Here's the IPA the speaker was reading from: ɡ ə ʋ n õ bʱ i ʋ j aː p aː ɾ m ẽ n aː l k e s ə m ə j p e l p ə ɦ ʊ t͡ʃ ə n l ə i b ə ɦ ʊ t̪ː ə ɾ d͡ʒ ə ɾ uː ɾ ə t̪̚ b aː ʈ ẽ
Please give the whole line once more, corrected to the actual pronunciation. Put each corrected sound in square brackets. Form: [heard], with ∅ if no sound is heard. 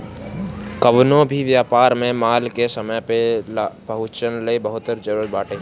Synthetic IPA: [k] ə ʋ n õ bʱ i ʋ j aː p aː ɾ m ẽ [m] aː l k e s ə m ə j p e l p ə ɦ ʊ t͡ʃ ə n l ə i b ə ɦ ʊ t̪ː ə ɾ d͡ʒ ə ɾ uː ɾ ə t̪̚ b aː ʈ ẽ